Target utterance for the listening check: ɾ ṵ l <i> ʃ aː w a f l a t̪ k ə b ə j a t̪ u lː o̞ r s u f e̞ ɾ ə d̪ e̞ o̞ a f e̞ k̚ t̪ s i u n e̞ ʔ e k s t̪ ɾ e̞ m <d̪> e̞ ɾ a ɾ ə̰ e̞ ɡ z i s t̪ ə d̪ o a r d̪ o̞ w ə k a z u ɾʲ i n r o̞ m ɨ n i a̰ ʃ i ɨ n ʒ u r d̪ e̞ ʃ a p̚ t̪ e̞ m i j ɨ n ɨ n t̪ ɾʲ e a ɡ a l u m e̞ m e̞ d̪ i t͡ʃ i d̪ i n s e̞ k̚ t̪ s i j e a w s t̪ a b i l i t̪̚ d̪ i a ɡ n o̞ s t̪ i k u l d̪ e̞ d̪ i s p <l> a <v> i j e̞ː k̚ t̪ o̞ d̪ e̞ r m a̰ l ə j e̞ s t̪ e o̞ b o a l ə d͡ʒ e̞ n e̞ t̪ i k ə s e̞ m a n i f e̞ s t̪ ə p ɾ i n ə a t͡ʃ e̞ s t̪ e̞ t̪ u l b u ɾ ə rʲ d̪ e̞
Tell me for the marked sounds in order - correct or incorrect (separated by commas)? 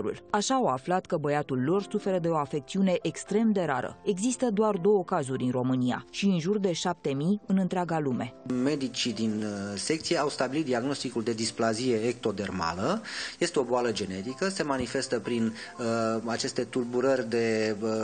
incorrect, correct, correct, incorrect